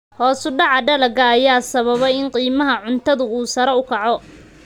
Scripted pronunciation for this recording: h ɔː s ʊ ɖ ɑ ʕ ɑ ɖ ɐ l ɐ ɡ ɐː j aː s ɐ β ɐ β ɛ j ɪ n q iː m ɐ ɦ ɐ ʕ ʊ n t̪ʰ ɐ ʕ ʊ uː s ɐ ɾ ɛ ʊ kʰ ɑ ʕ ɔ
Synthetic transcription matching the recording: h ɔː s ʊ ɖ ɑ ʕ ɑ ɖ ɐ l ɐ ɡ ɐː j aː s ɐ β ɐ β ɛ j ɪ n q iː m ɐ ɦ ɐ ʕ ʊ n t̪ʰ ɐ ð ʊ uː s ɐ ɾ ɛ ʊ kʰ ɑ ʕ ɔ